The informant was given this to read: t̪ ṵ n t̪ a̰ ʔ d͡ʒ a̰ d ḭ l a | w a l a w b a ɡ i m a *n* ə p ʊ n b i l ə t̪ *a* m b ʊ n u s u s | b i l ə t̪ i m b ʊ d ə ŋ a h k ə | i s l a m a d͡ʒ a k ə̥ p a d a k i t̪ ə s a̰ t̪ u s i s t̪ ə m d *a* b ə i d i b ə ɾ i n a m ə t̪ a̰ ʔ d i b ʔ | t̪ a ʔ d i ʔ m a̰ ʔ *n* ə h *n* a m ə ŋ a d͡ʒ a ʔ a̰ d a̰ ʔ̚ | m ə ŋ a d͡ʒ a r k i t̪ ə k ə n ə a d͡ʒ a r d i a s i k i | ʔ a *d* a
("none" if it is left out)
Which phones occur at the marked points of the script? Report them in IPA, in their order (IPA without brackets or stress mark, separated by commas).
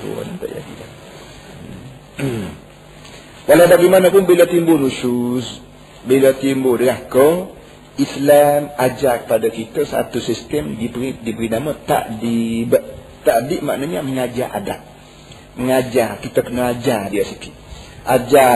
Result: n, i, i, n, ɲ, d͡ʒ